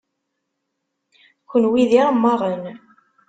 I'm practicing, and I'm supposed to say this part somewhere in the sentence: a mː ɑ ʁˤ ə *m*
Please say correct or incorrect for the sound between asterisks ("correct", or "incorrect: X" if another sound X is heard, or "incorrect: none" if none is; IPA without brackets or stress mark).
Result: incorrect: n